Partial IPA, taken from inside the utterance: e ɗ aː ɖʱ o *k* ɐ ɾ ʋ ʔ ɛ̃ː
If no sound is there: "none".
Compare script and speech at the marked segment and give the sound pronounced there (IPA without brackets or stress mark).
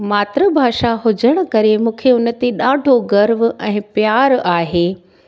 ɡ